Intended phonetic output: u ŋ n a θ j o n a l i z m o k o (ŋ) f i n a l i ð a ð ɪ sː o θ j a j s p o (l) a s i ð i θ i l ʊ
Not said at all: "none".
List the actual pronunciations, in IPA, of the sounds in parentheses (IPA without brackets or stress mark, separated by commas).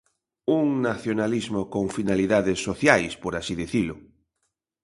ŋ, ɾ